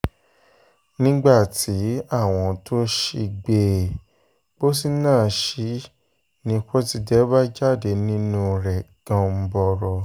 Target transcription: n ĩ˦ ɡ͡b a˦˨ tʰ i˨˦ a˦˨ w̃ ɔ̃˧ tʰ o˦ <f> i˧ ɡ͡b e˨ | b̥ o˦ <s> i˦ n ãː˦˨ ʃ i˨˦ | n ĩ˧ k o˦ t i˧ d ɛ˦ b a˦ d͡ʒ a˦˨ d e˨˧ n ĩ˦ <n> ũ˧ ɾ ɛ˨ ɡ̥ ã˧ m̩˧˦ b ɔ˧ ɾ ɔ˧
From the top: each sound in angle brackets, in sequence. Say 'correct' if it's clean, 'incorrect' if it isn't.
incorrect, correct, correct

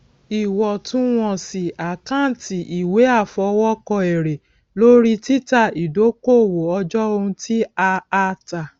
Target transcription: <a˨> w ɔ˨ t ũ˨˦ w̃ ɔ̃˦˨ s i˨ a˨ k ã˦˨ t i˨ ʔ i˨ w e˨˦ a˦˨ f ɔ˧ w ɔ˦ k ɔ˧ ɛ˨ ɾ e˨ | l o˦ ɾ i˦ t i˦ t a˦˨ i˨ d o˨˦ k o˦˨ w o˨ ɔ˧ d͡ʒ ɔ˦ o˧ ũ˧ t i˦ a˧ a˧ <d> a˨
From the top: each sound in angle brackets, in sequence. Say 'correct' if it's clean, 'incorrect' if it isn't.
incorrect, incorrect

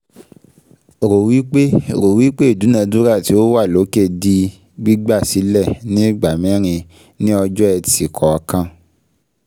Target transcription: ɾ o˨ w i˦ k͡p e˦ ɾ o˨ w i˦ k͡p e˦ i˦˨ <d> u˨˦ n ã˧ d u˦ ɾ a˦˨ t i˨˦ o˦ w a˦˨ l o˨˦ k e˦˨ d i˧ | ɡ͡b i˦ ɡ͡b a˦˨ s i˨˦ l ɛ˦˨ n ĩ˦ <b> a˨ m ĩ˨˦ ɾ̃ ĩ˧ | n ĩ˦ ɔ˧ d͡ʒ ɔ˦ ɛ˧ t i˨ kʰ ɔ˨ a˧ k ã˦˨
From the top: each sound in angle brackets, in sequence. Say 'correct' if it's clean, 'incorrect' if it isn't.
correct, incorrect

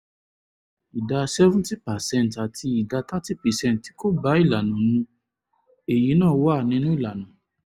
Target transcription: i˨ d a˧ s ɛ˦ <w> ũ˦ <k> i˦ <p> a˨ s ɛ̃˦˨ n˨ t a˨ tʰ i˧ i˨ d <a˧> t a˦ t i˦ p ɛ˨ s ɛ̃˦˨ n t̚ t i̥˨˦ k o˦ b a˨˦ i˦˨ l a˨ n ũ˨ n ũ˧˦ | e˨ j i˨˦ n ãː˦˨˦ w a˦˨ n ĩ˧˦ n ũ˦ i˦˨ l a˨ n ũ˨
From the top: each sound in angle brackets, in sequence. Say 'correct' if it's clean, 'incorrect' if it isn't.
incorrect, incorrect, correct, correct

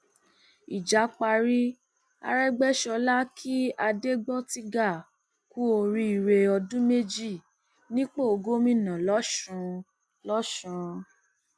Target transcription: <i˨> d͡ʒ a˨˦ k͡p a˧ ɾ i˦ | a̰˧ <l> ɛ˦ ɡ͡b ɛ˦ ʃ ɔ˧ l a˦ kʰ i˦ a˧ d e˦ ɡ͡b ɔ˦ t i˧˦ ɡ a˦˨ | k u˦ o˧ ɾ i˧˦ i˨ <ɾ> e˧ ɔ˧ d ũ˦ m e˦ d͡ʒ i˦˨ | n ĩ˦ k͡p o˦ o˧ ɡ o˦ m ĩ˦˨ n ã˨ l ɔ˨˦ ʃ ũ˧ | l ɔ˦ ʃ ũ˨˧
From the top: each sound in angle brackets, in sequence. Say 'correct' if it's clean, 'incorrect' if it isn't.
correct, incorrect, correct

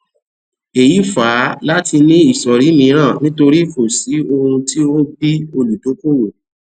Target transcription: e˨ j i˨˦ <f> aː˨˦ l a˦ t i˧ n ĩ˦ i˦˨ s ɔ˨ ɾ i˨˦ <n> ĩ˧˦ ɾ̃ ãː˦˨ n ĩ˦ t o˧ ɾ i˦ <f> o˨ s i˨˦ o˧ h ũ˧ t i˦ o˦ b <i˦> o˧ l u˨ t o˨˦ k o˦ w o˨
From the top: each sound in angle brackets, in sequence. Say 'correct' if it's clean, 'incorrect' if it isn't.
correct, incorrect, correct, correct

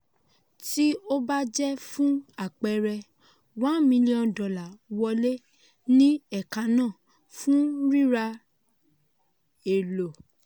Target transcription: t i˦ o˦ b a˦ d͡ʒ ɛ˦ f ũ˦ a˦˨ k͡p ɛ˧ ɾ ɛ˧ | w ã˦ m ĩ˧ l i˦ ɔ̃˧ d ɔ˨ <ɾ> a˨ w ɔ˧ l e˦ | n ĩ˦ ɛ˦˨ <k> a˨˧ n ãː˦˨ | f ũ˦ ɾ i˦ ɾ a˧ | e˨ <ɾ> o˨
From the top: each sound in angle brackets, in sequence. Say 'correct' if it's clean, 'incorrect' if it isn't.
incorrect, correct, incorrect

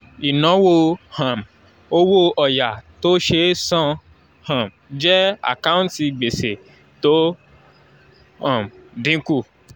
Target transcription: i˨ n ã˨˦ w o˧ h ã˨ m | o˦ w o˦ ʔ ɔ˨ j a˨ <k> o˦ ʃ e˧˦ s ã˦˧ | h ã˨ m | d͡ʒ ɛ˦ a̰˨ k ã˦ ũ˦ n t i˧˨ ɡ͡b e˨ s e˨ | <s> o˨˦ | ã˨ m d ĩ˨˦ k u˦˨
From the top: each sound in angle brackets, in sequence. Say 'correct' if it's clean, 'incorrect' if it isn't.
incorrect, incorrect

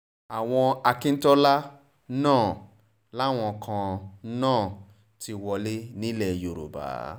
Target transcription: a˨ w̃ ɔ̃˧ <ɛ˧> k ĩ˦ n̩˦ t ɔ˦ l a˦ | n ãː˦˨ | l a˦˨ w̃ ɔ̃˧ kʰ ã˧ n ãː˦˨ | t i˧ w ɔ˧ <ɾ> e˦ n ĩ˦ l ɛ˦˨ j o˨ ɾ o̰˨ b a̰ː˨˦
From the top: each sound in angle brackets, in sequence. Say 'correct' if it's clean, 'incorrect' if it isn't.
incorrect, incorrect

